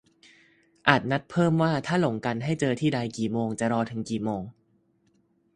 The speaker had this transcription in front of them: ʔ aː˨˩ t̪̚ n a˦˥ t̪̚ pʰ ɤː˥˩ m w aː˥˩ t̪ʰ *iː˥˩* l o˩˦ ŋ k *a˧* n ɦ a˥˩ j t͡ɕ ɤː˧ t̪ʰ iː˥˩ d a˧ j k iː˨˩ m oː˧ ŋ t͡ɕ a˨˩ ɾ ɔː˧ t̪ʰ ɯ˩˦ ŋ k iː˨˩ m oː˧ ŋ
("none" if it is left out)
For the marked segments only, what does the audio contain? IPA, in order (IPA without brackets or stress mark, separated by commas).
aː˥˩, a˧